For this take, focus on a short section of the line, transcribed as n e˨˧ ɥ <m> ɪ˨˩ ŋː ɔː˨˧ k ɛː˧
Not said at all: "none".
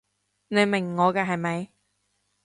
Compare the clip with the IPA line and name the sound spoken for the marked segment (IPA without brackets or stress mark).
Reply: m